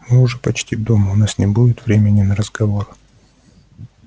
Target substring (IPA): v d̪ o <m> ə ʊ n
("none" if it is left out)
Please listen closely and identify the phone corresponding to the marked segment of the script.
m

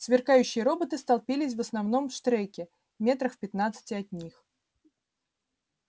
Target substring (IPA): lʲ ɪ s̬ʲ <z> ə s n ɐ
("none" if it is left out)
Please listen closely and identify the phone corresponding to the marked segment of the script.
v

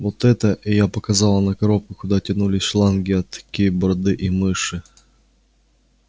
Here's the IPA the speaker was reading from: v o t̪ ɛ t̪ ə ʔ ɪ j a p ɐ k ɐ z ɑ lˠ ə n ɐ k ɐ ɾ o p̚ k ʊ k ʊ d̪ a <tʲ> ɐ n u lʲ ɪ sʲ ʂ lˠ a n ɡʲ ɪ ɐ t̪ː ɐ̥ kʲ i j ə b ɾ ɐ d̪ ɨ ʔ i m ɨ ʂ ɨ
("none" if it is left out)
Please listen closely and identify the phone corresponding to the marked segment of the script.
tʲ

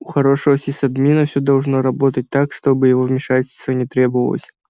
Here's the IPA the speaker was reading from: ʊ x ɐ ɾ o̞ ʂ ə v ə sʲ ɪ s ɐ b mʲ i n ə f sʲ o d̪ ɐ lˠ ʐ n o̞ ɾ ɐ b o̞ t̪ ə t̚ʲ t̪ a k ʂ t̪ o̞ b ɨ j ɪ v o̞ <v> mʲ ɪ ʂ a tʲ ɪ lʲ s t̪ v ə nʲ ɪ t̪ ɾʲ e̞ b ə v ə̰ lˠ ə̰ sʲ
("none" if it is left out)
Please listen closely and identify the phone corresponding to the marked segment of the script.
v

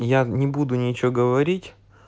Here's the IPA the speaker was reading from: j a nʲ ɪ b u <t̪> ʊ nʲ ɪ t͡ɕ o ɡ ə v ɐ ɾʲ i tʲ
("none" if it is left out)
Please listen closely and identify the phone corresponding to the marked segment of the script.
d̪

